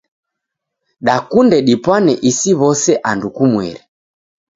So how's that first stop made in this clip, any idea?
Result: implosive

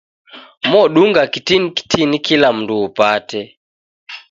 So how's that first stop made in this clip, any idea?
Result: implosive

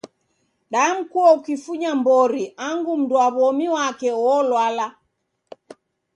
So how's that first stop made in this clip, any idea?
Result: implosive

